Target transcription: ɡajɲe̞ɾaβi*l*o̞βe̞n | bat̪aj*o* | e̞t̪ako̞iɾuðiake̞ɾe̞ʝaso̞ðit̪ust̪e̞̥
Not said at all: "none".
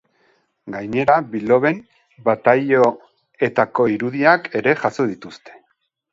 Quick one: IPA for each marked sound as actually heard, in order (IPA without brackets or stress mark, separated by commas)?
l, o